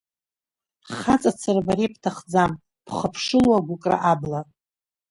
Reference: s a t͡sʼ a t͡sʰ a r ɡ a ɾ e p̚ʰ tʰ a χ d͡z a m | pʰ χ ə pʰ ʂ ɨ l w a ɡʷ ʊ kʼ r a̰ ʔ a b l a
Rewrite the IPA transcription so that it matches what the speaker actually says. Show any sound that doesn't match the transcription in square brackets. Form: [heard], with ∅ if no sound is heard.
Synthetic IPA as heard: [χ] a t͡sʼ a t͡sʰ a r [b] a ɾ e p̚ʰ tʰ a χ d͡z a m | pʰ χ ə pʰ ʂ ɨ l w a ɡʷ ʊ kʼ r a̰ ʔ a b l a